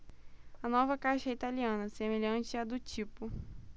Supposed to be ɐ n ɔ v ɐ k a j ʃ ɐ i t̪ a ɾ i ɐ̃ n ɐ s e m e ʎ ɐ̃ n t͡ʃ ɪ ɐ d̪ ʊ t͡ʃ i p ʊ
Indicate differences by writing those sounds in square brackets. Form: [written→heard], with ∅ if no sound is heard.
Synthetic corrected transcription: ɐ n ɔ v ɐ k a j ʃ ɐ i t̪ a [ɾ→l] i ɐ̃ n ɐ s e m e ʎ ɐ̃ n t͡ʃ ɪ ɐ d̪ ʊ t͡ʃ i p ʊ

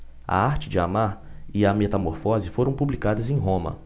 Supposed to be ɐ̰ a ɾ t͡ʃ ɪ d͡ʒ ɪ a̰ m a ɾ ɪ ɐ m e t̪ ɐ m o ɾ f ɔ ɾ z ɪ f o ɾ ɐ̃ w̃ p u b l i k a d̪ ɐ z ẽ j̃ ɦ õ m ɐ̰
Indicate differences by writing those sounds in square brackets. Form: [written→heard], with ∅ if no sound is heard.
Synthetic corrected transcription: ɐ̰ a ɾ t͡ʃ ɪ d͡ʒ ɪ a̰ m a ɾ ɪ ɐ m e t̪ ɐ m o ɾ f ɔ [ɾ→∅] z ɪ f o ɾ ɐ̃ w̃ p u b l i k a d̪ ɐ z ẽ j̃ ɦ õ m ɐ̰

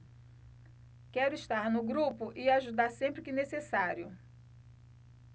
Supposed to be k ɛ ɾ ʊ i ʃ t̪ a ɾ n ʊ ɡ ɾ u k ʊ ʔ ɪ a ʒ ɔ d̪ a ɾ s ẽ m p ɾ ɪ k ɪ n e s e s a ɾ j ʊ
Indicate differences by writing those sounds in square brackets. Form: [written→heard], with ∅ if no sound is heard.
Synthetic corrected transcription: k ɛ ɾ ʊ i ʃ t̪ a ɾ n ʊ ɡ ɾ u [k→p] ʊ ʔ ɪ a ʒ [ɔ→u] d̪ a ɾ s ẽ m p ɾ ɪ k ɪ n e s e s a ɾ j ʊ

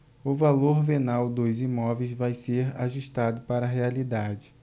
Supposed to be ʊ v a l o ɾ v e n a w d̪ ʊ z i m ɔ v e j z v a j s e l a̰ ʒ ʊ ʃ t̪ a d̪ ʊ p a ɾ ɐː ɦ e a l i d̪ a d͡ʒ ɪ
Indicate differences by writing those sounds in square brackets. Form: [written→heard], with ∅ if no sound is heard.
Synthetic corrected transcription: ʊ v a l o ɾ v e n a w d̪ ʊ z i m ɔ v e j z v a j s e [l→ɾ] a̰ ʒ [ʊ→u] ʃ t̪ a d̪ ʊ p a ɾ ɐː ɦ e a l i d̪ a d͡ʒ ɪ

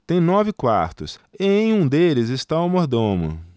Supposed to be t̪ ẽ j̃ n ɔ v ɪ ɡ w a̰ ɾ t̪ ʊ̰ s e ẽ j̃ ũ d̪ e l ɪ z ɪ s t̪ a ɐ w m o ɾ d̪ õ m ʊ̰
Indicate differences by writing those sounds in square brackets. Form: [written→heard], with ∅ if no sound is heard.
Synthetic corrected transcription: t̪ ẽ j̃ n ɔ v ɪ [ɡ→k] w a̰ ɾ t̪ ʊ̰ s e ẽ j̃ ũ d̪ e l ɪ z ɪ s t̪ a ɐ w m o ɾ d̪ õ m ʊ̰

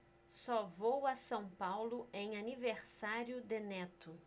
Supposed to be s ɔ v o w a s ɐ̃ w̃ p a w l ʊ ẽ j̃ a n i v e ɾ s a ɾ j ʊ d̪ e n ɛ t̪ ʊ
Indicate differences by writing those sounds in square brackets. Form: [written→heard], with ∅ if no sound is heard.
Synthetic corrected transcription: s ɔ v o w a s ɐ̃ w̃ p a w l ʊ ẽ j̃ a n i v e ɾ s a ɾ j ʊ d̪ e n ɛ t̪ ʊ

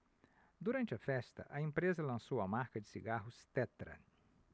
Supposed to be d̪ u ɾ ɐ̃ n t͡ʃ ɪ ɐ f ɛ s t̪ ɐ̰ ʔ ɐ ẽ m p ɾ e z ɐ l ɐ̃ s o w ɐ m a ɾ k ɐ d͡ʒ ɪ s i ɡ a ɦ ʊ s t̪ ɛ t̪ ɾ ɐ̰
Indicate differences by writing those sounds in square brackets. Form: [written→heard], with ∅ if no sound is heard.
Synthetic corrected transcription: d̪ u ɾ ɐ̃ n t͡ʃ ɪ ɐ f ɛ s t̪ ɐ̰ ʔ ɐ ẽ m p ɾ e z ɐ l ɐ̃ s o w ɐ m a ɾ k ɐ d͡ʒ ɪ s i ɡ a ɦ ʊ s t̪ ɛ t̪ ɾ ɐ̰

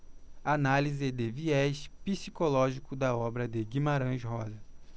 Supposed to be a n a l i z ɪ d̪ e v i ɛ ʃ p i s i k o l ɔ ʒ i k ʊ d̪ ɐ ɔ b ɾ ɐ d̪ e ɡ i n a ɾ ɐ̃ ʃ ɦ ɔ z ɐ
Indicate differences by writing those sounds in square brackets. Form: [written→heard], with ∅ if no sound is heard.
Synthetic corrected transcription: a n a l i z ɪ d̪ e v i ɛ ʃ p i s i k o l ɔ ʒ i k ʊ d̪ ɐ ɔ b ɾ ɐ d̪ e ɡ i [n→m] a ɾ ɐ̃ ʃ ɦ ɔ z ɐ

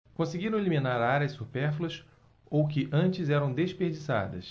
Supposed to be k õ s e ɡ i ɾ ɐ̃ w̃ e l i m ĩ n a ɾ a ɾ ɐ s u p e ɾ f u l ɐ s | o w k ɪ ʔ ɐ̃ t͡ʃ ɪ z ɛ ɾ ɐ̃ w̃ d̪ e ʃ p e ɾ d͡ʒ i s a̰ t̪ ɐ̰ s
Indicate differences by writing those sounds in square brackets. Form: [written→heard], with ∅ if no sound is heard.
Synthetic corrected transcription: k õ s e ɡ i ɾ ɐ̃ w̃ e l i m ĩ n a ɾ a ɾ ɐ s u p [e→ɛ] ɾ f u l ɐ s | o w k ɪ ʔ ɐ̃ t͡ʃ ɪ z ɛ ɾ ɐ̃ w̃ d̪ e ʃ p e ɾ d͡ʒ i s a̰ [t̪→d̪] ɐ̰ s

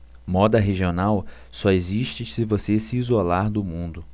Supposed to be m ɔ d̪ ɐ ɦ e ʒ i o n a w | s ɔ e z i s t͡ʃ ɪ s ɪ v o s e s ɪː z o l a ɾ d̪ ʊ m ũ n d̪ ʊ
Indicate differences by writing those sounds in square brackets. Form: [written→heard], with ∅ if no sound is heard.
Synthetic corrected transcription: m ɔ d̪ ɐ ɦ e ʒ i o n a w | s ɔ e z i [s→ʃ] t͡ʃ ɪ s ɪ v o s e s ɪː z o l a ɾ d̪ ʊ m ũ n d̪ ʊ

